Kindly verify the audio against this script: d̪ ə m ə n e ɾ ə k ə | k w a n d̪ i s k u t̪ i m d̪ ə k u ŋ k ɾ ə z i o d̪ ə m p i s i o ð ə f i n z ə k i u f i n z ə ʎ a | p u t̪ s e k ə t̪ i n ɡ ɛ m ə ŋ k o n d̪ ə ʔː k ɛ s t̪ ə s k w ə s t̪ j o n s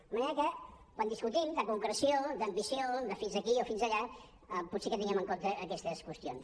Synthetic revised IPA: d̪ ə m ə n e ɾ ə k ə | k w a n d̪ i s k u t̪ i m d̪ ə k u ŋ k ɾ ə s i o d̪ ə m b i s i o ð ə f i n z ə k i o f i n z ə ʎ a | p u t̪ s e k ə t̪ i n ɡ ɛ m ə ŋ k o n t̪ ə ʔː k ɛ s t̪ ə s k w ə s t̪ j o n s